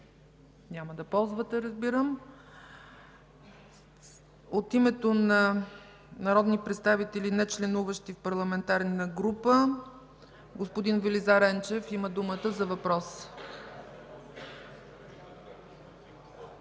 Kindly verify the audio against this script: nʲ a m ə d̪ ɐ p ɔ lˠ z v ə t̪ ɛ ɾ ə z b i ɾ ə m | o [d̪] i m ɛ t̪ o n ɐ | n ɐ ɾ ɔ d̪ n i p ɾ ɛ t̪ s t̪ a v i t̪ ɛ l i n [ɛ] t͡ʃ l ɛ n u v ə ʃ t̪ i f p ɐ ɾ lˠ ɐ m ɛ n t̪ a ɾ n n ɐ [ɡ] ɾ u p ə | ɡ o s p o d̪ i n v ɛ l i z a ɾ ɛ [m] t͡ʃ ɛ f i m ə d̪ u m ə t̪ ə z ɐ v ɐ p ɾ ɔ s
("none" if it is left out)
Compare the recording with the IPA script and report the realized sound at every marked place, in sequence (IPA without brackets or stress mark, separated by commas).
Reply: t̪, ɛ, ɡ, n